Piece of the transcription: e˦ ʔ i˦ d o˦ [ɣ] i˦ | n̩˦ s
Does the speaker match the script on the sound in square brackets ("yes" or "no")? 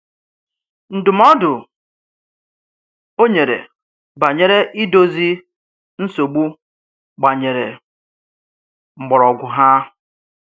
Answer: no